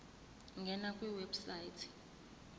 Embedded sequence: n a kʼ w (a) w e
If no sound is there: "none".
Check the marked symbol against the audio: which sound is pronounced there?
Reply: i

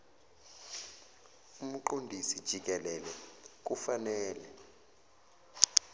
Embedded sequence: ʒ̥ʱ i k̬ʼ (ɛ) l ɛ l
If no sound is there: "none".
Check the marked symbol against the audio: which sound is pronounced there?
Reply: ɛ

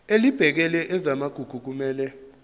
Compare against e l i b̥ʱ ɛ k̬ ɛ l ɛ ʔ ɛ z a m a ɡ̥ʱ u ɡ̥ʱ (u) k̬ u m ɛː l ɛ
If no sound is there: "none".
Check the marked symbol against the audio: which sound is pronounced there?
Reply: u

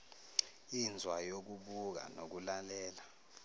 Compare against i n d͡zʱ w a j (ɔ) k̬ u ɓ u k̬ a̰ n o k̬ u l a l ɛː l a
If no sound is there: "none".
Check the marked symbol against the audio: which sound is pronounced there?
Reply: o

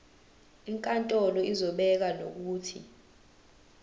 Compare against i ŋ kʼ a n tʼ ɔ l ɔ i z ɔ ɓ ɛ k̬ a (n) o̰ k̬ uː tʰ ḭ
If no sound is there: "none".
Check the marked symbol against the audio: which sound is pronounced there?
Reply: n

